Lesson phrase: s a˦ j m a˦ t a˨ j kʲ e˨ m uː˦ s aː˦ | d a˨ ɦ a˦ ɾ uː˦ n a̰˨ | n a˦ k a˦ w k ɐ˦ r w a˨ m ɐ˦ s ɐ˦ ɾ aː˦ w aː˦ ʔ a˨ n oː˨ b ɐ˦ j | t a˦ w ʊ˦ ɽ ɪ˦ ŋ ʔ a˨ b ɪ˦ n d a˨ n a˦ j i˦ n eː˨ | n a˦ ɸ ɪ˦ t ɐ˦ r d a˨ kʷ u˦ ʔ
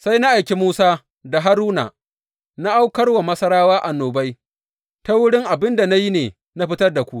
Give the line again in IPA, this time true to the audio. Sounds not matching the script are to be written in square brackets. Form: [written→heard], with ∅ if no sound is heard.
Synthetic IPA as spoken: s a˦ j [m→n] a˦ [t→ʔ] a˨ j kʲ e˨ m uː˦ s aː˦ | d a˨ ɦ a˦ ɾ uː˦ n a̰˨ | n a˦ [k→ʔ] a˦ w k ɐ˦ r w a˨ m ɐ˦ s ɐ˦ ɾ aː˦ w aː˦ ʔ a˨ n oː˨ b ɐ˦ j | t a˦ w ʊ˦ ɽ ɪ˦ ŋ ʔ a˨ b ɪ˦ n d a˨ n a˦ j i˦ n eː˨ | n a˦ ɸ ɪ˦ t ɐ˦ r d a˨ kʷ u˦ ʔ